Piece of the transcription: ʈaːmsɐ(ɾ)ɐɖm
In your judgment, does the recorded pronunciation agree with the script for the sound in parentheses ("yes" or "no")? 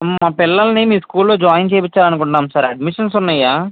yes